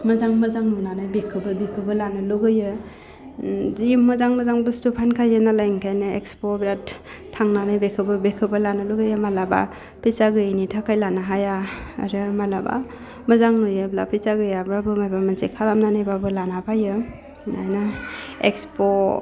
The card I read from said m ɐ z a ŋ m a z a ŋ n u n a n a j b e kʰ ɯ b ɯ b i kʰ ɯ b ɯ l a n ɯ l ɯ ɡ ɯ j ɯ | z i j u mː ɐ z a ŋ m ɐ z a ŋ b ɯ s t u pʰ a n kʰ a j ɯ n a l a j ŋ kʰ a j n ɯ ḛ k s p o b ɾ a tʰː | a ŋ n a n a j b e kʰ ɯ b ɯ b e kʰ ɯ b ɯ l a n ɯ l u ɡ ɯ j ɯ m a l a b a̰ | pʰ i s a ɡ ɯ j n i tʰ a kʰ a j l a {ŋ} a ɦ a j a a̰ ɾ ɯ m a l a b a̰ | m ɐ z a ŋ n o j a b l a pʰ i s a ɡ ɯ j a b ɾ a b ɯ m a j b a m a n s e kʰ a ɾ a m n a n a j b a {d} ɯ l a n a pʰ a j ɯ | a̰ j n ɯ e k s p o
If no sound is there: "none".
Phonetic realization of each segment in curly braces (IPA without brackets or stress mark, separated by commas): n, b